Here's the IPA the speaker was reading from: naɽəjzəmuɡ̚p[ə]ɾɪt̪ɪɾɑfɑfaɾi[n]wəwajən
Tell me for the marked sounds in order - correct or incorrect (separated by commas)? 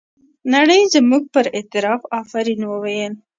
correct, correct